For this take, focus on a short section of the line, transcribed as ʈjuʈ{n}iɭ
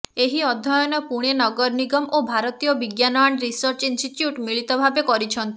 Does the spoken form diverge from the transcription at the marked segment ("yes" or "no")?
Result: yes